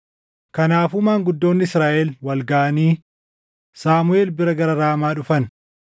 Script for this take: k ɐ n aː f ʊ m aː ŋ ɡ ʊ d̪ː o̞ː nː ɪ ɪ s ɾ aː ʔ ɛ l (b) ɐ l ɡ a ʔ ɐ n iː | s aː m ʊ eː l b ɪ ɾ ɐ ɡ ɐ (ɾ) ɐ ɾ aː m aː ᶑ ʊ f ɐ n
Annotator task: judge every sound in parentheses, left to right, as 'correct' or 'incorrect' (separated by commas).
incorrect, correct